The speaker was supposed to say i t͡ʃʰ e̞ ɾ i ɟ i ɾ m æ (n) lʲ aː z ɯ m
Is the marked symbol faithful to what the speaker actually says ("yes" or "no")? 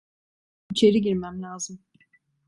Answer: no